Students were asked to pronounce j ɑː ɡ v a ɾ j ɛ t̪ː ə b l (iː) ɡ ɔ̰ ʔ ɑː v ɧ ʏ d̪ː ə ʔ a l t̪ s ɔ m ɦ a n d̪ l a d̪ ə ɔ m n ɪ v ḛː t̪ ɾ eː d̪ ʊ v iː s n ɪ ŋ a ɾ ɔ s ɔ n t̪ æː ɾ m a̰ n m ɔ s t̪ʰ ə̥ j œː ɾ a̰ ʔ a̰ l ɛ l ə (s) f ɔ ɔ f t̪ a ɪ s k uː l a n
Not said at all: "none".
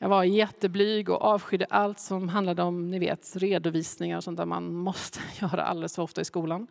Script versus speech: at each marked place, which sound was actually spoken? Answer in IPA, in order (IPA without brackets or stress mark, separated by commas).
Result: yː, s